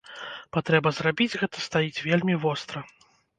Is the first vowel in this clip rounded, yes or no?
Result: no